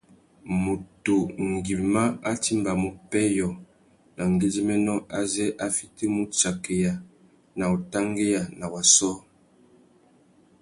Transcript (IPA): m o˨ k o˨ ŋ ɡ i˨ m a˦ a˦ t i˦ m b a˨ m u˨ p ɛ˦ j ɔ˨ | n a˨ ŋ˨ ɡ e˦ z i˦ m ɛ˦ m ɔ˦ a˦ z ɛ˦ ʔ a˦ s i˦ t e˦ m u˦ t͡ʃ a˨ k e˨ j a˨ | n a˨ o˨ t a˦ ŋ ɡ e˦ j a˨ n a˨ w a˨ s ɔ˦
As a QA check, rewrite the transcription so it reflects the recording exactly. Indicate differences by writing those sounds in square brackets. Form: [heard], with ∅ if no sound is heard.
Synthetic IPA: m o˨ [t] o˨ ŋ ɡ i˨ m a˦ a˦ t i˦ m b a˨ m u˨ p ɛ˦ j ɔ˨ | n a˨ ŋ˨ ɡ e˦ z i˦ m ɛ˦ [n] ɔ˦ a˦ z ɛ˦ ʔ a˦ [f] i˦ t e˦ m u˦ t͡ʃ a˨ k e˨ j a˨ | n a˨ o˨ t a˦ ŋ ɡ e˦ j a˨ n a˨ w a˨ s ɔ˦